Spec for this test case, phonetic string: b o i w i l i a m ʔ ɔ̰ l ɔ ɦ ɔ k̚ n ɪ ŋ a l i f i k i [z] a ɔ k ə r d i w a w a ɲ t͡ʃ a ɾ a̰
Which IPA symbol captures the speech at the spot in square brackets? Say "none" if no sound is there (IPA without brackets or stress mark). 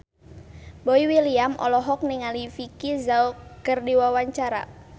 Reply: z